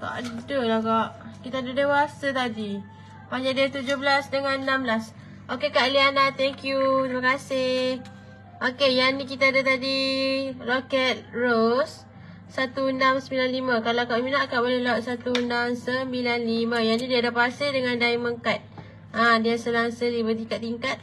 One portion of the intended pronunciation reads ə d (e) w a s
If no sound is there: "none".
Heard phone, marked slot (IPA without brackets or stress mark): e